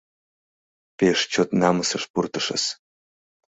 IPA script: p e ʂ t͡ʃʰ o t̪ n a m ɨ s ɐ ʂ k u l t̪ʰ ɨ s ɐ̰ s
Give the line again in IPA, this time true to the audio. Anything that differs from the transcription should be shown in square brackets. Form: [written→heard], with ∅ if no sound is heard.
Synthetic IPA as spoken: p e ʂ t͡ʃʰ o t̪ n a m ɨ s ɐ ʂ [k→p] u [l→r] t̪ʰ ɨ [s→ʂ] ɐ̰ s